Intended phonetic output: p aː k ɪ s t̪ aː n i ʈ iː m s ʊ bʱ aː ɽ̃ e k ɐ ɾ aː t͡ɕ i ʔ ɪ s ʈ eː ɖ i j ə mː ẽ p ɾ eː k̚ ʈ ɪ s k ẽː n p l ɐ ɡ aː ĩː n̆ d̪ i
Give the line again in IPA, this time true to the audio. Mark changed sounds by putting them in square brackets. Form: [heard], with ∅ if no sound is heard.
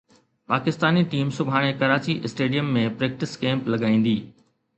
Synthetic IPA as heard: p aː k ɪ s t̪ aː n i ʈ iː m s ʊ bʱ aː ɽ̃ e k ɐ ɾ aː t͡ɕ i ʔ ɪ s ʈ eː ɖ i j ə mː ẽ p ɾ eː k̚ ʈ ɪ s k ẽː [m] p l ɐ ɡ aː ĩː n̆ d̪ [iː]